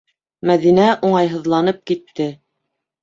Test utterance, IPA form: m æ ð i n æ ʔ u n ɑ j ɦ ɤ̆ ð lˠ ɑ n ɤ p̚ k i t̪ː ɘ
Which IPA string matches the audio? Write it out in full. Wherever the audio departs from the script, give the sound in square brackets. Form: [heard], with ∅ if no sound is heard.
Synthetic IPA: m æ ð i n æ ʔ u [ɴ] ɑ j ɦ ɤ̆ ð lˠ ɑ n ɤ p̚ k i t̪ː ɘ